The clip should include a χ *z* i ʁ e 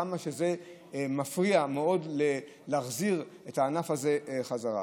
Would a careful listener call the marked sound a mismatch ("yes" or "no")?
no